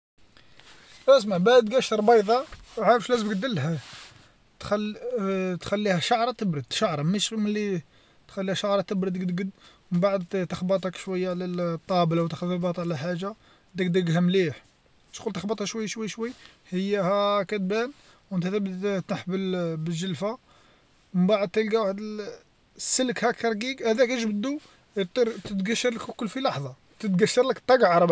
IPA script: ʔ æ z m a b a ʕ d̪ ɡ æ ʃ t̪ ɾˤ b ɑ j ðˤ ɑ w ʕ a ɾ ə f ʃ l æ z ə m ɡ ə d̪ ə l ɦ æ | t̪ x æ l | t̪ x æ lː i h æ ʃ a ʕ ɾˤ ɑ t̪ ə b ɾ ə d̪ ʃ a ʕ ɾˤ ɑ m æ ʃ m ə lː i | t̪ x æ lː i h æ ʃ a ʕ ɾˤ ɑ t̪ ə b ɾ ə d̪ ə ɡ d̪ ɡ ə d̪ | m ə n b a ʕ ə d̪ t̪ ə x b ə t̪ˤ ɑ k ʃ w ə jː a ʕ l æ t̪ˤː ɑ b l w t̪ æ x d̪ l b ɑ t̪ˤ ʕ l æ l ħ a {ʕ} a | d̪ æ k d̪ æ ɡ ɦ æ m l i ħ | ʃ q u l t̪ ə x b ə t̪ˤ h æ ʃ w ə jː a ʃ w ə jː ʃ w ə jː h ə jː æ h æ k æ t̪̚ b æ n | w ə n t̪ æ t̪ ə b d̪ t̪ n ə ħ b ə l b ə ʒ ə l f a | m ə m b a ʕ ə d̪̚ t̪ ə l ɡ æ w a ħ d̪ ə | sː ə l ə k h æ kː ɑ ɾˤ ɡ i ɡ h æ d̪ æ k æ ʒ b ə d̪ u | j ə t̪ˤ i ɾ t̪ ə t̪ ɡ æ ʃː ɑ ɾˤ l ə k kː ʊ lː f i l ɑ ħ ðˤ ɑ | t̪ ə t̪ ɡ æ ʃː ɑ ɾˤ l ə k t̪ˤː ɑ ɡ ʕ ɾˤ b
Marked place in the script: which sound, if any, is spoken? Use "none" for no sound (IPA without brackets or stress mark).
ʒ